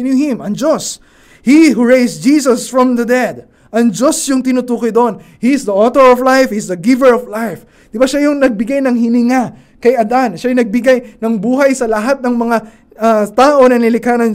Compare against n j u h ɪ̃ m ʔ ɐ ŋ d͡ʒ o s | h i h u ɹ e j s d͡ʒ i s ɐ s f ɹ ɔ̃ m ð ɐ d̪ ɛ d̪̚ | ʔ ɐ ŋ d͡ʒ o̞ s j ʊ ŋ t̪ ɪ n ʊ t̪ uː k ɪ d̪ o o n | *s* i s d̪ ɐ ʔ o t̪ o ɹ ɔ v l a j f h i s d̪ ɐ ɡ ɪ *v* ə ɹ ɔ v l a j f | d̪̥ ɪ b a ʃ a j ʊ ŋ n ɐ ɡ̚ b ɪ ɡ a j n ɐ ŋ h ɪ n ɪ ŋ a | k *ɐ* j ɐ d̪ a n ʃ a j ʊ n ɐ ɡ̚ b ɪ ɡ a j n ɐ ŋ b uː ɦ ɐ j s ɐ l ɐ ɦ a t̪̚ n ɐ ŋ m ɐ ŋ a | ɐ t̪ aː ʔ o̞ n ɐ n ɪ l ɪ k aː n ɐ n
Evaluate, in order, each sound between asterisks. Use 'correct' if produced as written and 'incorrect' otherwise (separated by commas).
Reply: incorrect, correct, correct